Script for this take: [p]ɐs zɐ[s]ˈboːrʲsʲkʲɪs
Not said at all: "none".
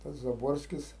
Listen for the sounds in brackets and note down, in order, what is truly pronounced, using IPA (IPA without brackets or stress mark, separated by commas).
t, none